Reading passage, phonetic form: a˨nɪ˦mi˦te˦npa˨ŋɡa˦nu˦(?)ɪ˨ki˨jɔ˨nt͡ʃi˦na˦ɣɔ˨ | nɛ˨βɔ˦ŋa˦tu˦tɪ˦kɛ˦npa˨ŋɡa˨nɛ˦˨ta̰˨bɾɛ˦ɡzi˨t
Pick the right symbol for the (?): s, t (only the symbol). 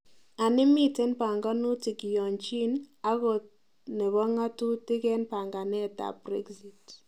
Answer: t